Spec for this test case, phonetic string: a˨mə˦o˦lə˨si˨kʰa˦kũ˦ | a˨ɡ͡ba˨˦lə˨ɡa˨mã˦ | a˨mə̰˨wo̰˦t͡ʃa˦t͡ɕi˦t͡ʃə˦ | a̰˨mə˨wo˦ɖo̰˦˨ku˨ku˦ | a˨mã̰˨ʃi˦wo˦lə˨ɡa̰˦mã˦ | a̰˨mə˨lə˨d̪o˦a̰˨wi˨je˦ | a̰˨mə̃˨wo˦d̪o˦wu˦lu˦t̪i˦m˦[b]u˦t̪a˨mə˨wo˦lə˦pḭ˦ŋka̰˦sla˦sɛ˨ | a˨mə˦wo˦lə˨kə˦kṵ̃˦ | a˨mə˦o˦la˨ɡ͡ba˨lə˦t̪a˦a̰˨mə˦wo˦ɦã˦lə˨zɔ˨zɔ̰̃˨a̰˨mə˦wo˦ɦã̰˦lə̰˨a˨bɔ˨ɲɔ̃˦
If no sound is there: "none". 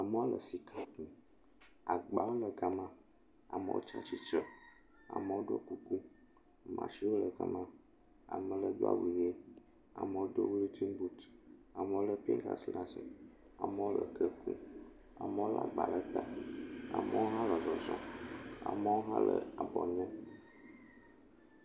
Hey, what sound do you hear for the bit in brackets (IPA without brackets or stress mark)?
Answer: b